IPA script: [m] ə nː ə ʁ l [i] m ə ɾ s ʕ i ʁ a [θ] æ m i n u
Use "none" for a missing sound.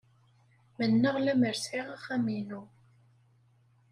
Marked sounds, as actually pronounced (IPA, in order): m, æ, χ

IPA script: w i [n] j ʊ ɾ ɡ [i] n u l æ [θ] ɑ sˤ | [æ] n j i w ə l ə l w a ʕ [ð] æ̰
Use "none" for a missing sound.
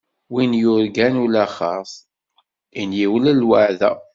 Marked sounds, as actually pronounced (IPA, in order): n, æ, χ, i, ð

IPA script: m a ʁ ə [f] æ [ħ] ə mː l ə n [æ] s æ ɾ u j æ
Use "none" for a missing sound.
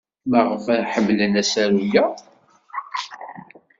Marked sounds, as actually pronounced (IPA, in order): f, ħ, æ

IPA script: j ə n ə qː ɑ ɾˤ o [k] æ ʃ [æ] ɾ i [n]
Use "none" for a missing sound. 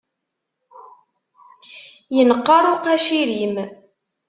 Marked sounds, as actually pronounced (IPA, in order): q, i, m

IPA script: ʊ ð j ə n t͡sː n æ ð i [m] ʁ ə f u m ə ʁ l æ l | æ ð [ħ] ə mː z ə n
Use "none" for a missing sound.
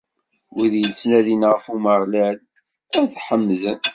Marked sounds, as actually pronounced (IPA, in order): n, ħ

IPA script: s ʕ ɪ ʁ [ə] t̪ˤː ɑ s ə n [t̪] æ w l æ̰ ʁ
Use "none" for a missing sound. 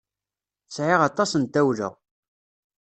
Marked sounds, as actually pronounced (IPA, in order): ɑ, t̪

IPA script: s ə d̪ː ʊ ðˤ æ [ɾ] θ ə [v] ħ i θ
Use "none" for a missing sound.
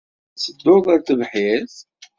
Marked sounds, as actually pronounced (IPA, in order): ɾ, v

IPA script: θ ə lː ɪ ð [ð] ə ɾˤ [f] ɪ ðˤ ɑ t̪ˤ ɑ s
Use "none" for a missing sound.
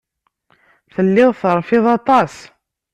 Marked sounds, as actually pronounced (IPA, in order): θ, f

